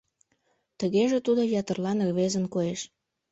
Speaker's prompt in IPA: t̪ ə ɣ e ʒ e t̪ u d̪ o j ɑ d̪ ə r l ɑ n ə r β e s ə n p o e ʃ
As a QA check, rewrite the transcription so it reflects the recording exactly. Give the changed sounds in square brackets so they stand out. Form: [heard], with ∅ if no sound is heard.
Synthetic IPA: t̪ ə ɣ e ʒ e t̪ u d̪ o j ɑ [t̪] ə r l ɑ n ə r β e [z] ə n [k] o e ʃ